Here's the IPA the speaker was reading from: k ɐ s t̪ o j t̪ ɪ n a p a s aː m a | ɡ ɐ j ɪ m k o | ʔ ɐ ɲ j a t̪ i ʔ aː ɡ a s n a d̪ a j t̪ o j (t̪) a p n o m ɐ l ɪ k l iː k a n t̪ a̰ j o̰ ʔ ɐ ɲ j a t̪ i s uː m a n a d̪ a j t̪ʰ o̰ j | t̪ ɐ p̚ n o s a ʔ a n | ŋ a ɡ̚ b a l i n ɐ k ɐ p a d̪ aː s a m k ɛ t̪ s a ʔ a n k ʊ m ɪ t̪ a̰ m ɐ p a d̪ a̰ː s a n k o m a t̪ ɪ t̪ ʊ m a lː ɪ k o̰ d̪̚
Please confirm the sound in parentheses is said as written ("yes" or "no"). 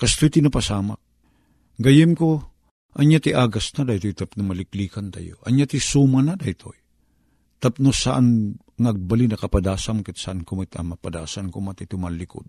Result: yes